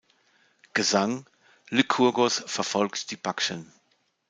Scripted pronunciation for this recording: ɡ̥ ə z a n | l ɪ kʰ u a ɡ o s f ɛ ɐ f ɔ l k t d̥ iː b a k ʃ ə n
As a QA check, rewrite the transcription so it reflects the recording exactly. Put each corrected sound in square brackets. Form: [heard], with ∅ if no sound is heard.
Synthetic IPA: ɡ̥ ə z a [ŋ] | l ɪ kʰ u [ɐ] ɡ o s f ɛ ɐ f ɔ l k t d̥ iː b a k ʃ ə n